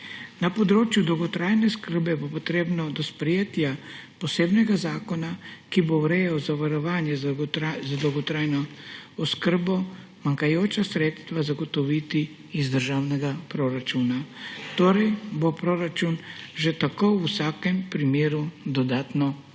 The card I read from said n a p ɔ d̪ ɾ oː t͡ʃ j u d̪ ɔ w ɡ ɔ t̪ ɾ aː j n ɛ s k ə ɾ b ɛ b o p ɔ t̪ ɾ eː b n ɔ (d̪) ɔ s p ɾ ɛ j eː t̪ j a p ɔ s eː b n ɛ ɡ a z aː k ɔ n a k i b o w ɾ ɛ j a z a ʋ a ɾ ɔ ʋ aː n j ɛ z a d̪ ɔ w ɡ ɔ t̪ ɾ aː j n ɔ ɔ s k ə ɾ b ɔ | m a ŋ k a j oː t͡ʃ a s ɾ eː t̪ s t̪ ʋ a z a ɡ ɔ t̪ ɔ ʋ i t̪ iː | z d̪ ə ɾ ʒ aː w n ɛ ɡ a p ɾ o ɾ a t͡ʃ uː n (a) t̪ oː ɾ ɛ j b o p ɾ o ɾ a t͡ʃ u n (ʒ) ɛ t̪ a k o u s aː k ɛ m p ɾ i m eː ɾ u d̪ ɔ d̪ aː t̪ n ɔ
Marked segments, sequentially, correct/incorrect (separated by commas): correct, correct, correct